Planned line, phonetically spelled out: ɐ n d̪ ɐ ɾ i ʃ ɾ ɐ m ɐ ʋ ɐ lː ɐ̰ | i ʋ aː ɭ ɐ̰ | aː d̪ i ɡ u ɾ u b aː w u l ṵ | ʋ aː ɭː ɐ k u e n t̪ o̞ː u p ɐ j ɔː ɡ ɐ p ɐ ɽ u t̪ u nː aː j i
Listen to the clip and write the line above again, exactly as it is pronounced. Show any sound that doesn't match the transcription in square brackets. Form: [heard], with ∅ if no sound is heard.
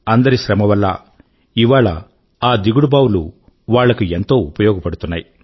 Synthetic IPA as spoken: ɐ n d̪ ɐ ɾ i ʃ ɾ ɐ m ɐ ʋ ɐ lː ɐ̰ | i ʋ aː ɭ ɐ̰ | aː d̪ i ɡ u [ɽ] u b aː w u l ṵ | ʋ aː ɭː ɐ k u e n t̪ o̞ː u p ɐ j ɔː ɡ ɐ p ɐ ɽ u t̪ u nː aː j i